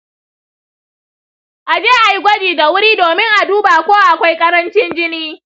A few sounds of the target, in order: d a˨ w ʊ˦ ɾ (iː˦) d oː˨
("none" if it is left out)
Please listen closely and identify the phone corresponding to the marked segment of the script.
iː˦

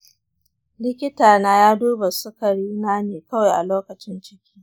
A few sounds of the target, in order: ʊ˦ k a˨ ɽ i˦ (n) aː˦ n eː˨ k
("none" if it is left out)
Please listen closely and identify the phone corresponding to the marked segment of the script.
n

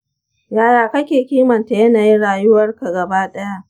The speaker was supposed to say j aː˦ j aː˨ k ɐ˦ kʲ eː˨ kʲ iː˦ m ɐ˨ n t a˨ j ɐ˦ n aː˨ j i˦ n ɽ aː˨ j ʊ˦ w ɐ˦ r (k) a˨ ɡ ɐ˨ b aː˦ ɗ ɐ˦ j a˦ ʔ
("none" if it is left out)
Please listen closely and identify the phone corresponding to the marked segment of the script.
k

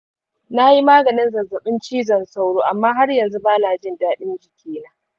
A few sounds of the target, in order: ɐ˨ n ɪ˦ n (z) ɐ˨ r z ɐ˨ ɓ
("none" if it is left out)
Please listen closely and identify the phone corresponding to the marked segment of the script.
z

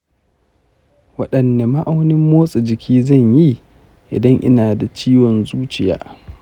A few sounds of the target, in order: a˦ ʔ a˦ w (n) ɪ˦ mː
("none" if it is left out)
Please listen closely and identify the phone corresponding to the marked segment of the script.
n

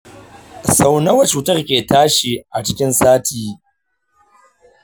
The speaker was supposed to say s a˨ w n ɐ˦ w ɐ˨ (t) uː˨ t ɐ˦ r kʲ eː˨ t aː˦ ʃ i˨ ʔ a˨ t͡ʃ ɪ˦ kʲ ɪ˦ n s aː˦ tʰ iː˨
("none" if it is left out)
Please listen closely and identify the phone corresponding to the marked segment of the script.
t͡ʃ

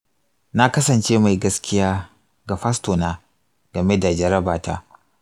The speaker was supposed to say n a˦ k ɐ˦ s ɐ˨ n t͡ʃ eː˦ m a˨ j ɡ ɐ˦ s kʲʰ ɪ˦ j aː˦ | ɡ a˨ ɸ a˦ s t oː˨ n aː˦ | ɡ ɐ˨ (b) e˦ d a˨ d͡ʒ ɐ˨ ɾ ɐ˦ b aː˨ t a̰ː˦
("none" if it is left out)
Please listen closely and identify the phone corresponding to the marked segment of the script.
m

